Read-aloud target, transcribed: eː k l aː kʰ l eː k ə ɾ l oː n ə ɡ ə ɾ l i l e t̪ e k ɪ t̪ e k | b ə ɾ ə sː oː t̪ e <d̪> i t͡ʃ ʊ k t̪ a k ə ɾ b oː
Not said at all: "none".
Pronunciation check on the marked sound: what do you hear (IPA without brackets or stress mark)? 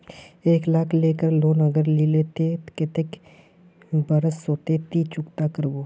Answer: t̪